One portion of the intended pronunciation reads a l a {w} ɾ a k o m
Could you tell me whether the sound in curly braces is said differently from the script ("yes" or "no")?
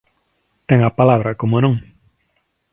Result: yes